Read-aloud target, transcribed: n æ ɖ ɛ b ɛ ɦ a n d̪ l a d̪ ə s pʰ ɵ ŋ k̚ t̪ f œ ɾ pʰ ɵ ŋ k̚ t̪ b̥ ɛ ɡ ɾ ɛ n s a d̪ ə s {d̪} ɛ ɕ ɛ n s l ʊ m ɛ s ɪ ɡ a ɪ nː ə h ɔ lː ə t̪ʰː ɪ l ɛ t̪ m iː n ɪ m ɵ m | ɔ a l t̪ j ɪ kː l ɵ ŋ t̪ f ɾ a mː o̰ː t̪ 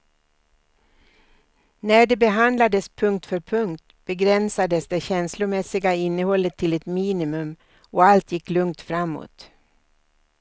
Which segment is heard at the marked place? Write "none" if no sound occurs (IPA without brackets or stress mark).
d̪